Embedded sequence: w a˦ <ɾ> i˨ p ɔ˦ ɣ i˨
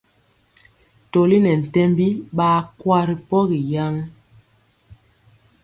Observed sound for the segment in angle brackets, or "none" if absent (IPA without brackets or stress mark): ɾ